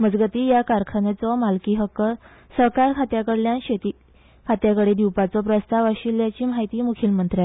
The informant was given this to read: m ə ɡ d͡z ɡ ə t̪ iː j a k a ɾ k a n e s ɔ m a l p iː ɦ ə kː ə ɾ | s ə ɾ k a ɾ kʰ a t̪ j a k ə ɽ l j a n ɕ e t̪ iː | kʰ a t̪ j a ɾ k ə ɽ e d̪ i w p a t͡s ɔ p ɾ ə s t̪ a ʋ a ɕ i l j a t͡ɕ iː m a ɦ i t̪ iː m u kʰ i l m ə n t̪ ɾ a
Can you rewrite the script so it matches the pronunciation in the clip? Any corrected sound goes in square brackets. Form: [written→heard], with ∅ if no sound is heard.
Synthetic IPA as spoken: m ə [ɡ→∅] d͡z ɡ ə t̪ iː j a k a ɾ [k→kʰ] a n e [s→t͡s] ɔ m a l [p→k] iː ɦ ə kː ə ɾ | s ə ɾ k a ɾ kʰ a t̪ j a k ə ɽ l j a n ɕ e t̪ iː | kʰ a t̪ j a [ɾ→∅] k ə ɽ e d̪ i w p a t͡s ɔ p ɾ ə s t̪ a ʋ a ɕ i l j a t͡ɕ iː m a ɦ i t̪ iː m u kʰ i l m ə n t̪ ɾ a